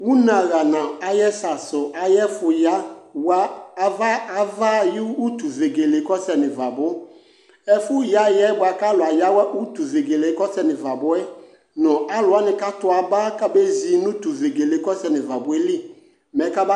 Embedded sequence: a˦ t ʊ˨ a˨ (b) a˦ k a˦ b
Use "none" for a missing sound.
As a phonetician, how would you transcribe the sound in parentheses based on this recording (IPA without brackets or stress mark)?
b